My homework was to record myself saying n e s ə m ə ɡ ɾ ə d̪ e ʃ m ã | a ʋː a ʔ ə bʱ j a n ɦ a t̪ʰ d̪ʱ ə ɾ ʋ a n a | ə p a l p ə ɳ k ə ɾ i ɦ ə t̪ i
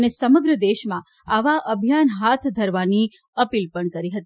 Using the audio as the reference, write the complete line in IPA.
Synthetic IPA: n e s ə m ə ɡ ɾ ə d̪ e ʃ m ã | a ʋ a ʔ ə bʱ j a n ɦ a t̪ʰ d̪ʱ ə ɾ ʋ a n i | ə p i l p ə ɳ k ə ɾ i ɦ ə t̪ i